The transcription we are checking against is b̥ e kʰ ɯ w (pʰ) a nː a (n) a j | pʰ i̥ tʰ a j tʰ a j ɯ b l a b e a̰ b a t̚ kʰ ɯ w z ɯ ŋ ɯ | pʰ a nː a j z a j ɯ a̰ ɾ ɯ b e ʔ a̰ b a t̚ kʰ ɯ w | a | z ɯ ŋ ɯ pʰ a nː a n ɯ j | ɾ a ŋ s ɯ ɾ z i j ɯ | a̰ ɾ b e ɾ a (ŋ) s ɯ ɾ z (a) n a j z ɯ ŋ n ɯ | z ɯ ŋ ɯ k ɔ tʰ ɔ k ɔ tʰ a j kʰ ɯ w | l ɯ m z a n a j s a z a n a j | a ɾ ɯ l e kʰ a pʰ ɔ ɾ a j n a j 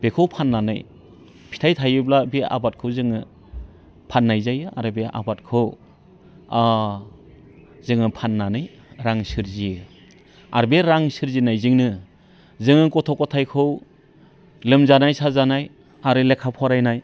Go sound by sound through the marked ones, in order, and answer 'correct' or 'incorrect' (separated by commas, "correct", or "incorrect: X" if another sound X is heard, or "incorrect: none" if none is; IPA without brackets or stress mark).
correct, correct, correct, incorrect: i